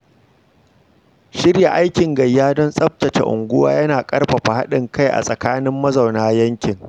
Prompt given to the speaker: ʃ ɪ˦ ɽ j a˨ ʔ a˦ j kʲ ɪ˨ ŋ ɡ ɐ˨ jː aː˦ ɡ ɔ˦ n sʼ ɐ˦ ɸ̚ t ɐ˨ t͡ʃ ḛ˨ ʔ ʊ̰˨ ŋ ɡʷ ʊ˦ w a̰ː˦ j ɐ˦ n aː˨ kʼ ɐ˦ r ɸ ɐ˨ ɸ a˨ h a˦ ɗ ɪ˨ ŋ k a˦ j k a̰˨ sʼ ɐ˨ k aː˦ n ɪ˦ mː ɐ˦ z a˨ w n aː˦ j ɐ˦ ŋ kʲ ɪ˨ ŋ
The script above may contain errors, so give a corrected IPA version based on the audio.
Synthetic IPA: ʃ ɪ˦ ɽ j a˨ ʔ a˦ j kʲ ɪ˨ ŋ ɡ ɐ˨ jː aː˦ d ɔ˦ n sʼ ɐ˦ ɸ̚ t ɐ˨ t͡ʃ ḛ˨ ʔ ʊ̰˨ ŋ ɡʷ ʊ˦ w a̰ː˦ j ɐ˦ n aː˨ kʼ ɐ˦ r ɸ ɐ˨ ɸ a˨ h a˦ ɗ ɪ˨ ŋ k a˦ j ʔ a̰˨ sʼ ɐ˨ k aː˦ n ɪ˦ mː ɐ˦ z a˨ w n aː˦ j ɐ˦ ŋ kʲ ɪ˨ ŋ